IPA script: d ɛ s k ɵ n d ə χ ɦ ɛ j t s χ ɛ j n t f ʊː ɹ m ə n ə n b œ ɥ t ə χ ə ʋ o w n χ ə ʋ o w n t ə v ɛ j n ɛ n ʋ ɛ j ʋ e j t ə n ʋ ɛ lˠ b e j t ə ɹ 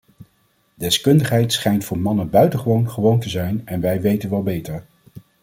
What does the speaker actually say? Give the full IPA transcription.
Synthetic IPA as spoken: d ɛ s k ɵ n d ə χ ɦ ɛ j t s χ ɛ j n t f ʊː ɹ m ɑ n ə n b œ ɥ t ə χ ə ʋ o w n χ ə ʋ o w n t ə z ɛ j n ɛ n ʋ ɛ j ʋ e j t ə n ʋ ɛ lˠ b e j t ə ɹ